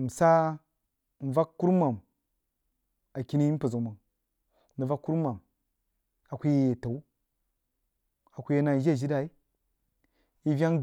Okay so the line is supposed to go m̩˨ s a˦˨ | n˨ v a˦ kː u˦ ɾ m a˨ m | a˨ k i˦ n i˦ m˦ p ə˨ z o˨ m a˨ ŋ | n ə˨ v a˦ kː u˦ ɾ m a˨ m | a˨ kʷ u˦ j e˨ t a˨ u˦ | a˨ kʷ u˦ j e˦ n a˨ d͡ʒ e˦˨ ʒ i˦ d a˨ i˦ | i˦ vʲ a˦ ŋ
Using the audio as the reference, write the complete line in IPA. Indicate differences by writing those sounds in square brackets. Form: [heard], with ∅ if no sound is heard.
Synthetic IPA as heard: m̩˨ s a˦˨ | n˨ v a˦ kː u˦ ɾ m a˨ m | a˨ k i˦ n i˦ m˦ p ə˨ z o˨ m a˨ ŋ | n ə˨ v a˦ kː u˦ ɾ m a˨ m | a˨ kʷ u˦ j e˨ t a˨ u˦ | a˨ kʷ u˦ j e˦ n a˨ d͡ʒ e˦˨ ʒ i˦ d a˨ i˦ | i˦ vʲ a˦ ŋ